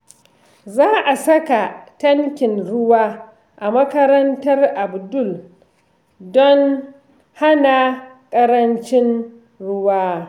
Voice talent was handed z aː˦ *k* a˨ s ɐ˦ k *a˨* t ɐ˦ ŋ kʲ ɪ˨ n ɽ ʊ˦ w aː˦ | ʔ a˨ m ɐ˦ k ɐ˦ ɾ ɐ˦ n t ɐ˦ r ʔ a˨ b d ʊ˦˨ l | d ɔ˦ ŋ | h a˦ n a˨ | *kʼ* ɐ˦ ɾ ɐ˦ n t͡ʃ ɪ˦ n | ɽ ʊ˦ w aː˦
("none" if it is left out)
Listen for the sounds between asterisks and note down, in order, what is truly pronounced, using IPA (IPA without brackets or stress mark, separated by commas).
ʔ, a˨, kʼ